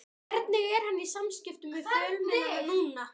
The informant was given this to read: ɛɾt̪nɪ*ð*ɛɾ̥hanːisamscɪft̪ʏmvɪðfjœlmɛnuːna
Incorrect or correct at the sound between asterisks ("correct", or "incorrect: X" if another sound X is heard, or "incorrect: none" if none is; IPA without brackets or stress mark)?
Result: incorrect: ɣ